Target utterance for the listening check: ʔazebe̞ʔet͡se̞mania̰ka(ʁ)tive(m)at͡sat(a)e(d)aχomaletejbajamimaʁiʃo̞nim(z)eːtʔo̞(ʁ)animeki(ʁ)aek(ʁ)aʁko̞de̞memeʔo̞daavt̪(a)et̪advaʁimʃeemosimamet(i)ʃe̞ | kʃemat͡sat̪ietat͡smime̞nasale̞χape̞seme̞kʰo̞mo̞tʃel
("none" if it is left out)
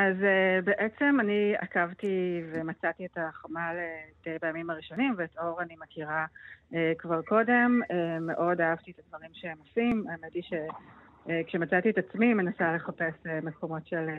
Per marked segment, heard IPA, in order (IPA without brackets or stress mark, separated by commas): v, m, i, t, v, ʁ, ʁ, v, i, i